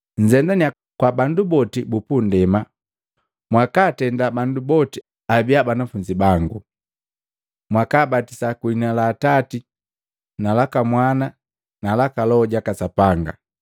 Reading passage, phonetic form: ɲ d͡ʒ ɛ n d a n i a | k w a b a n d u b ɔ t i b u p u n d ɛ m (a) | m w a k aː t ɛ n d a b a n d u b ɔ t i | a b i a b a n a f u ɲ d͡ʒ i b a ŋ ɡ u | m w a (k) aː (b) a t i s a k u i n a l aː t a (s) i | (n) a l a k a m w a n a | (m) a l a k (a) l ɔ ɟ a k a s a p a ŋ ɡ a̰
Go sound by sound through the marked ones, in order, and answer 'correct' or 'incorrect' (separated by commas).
correct, correct, correct, incorrect, correct, incorrect, correct